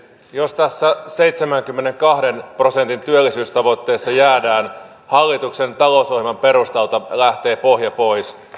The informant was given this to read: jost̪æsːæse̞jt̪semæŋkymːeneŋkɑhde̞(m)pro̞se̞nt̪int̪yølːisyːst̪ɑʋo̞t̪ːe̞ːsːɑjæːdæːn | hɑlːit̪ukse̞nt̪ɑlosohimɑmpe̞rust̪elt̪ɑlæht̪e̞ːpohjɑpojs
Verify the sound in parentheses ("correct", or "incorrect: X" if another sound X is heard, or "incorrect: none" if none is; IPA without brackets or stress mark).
incorrect: n